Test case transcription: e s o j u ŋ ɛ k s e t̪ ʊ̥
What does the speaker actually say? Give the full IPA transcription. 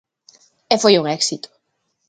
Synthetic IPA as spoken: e f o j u ŋ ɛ k s i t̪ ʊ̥

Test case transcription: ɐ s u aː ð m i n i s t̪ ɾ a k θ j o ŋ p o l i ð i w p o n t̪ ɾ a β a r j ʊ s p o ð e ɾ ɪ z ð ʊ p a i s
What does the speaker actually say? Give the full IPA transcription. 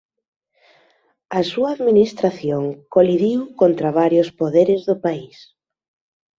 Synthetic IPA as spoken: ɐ s u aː ð m i n i s t̪ ɾ a θ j o ŋ k o l i ð i w k o n t̪ ɾ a β a ɾ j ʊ s p o ð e ɾ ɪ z ð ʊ p a i s

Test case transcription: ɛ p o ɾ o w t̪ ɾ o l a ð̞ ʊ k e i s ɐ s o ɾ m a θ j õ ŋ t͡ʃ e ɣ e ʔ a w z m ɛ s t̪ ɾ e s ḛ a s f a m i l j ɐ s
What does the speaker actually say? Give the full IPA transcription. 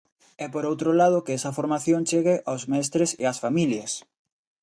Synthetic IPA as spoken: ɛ p o ɾ o w t̪ ɾ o l a ð̞ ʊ k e ɛ s ɐ f o ɾ m a θ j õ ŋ t͡ʃ e ɣ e ʔ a w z m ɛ s t̪ ɾ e s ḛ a s f a m i l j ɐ s

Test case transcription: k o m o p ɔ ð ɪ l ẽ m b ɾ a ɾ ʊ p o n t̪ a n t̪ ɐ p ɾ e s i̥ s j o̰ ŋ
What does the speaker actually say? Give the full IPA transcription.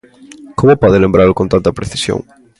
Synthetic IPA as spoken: k o m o p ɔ ð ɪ l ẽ m b ɾ a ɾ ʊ k o n t̪ a n t̪ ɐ p ɾ e θ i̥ s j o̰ ŋ

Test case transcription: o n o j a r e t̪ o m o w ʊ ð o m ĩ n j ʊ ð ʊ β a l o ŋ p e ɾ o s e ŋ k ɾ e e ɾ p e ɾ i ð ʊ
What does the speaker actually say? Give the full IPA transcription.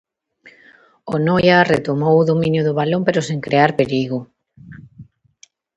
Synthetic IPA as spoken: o n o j a r e t̪ o m o w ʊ ð o m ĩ n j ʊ ð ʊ β a l o m p e ɾ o s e ŋ k ɾ e a ɾ p e ɾ i ɣ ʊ

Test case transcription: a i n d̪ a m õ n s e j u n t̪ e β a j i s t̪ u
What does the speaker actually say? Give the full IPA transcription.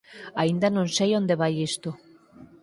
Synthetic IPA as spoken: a i n d̪ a n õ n s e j o n d̪ e β a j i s t̪ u

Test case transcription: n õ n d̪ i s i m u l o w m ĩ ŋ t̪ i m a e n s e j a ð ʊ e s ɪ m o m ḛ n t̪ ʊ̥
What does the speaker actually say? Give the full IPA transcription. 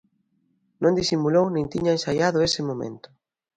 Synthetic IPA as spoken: n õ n d̪ i s i m u l o w n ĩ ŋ t̪ i ɲ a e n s a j a ð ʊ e s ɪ m o m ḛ n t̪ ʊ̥

